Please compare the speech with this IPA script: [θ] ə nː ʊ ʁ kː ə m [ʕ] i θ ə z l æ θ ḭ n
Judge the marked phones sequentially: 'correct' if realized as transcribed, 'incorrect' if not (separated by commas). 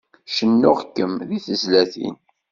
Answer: incorrect, incorrect